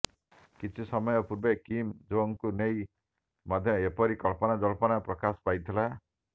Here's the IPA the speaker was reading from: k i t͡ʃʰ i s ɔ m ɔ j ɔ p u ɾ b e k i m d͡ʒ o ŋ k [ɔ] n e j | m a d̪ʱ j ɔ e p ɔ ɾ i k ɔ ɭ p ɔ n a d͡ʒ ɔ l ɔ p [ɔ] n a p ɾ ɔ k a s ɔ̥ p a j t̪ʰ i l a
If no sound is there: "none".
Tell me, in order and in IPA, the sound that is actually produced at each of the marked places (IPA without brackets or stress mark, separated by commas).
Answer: u, ɔ